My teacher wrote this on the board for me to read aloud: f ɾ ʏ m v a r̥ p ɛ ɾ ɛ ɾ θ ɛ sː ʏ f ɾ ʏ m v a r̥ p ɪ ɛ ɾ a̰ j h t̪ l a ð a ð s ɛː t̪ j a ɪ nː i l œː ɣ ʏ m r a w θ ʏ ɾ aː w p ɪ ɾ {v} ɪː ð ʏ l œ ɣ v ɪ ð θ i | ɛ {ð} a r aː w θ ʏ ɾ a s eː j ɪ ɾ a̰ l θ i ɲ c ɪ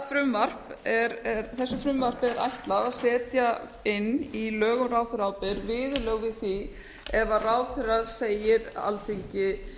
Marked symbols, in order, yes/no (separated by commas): yes, no